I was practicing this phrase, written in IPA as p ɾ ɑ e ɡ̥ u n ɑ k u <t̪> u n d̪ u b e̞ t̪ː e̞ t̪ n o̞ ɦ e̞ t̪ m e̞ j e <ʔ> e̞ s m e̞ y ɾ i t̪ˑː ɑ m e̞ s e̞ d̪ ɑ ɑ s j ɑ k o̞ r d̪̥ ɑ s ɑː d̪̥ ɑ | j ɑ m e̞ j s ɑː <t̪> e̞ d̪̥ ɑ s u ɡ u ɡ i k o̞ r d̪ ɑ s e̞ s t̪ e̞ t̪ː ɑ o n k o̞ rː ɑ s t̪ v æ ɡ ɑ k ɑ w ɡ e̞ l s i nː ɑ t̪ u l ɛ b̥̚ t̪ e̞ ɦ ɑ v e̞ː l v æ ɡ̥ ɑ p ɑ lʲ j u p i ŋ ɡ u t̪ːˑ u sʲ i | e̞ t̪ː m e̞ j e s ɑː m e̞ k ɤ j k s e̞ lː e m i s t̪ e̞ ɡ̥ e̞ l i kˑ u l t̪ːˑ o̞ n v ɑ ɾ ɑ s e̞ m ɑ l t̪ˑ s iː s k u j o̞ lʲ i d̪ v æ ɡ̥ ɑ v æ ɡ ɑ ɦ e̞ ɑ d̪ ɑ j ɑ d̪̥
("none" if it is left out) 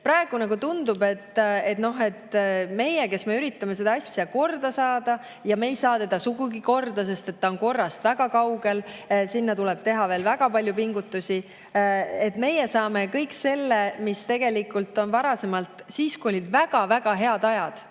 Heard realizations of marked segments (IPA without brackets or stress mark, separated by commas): t̪, k, t̪